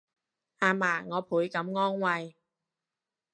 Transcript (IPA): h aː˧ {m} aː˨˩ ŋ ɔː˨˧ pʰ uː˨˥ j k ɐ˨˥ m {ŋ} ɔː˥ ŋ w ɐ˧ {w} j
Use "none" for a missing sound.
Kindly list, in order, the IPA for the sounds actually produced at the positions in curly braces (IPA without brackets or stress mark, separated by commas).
m, ŋ, none